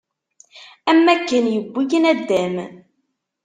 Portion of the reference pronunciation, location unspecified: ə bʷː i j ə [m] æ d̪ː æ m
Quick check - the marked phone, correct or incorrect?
incorrect